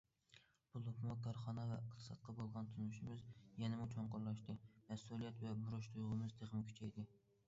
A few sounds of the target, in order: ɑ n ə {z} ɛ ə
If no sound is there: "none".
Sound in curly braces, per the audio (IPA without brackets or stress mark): v